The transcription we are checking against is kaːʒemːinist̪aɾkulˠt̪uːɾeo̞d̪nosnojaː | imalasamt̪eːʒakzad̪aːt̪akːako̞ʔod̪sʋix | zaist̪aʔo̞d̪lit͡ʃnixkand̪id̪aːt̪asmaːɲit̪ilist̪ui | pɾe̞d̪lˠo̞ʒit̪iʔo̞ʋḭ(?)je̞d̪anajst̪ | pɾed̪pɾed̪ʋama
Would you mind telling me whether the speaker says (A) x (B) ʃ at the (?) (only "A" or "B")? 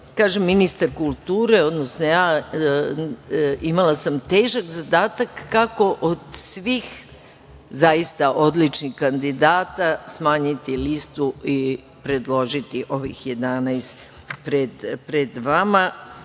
A